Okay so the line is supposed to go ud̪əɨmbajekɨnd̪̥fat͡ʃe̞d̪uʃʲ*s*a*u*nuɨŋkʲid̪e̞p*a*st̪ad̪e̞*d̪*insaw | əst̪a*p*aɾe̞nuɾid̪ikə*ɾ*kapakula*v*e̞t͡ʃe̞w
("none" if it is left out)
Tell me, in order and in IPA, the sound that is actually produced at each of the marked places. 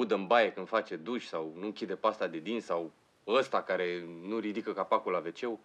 s, w, a, d̪, k, none, v

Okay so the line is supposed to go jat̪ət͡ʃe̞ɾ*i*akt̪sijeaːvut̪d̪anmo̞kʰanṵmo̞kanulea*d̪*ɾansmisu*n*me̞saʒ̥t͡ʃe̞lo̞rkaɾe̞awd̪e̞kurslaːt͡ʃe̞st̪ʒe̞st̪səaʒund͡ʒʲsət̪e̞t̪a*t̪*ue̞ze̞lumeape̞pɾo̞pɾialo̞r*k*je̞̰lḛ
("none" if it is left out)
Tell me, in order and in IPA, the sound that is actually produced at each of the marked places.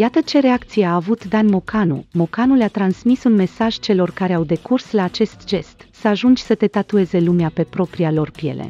e, t̪, n, t̪, p

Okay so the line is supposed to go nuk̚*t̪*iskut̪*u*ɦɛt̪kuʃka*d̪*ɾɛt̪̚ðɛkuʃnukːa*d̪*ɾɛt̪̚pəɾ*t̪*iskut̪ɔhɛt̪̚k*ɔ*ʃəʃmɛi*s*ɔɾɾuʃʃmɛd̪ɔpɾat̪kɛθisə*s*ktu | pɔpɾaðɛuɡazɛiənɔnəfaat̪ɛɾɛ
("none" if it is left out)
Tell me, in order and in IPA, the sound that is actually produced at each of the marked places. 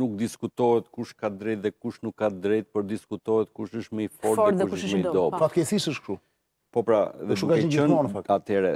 d̪, ɔ, d̪, d̪, d̪, u, f, ʃ

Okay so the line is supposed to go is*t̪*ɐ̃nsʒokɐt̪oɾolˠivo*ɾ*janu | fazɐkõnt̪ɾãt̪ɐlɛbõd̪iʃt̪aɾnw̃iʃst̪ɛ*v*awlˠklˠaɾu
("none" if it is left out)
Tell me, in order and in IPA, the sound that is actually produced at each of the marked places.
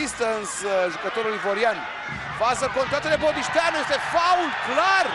t̪, ɾ, f

